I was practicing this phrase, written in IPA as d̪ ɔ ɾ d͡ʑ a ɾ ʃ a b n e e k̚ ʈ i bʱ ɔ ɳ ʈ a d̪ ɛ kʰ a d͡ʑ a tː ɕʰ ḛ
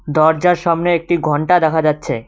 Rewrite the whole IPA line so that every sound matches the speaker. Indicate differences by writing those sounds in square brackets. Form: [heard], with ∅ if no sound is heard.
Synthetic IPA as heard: d̪ ɔ ɾ d͡ʑ a ɾ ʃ a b n e e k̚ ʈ i [ɡʱ] ɔ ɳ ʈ a d̪ ɛ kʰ a d͡ʑ a tː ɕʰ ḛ